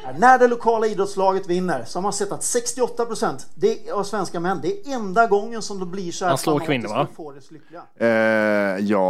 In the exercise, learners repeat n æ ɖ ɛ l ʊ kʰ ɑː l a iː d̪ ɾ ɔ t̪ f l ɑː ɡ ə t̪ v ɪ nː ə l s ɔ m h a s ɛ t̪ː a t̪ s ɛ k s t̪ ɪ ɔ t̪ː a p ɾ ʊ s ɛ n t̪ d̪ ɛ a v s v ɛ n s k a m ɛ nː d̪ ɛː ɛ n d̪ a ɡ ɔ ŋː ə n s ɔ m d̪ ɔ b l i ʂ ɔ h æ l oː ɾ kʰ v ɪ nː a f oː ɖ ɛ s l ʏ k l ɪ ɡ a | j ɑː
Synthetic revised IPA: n æ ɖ ɛ l ʊ kʰ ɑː l a iː d̪ ɾ ɔ t̪ s l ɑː ɡ ə t̪ v ɪ nː ə ɾ s ɔ m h a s ɛ t̪ː a t̪ s ɛ k s t̪ ɪ ɔ t̪ː a p ɾ ʊ s ɛ n t̪ d̪ ɛ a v s v ɛ n s k a m ɛ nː d̪ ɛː ɛ n d̪ a ɡ ɔ ŋː ə n s ɔ m d̪ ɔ b l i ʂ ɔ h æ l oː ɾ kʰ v ɪ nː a f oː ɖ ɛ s l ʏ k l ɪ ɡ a | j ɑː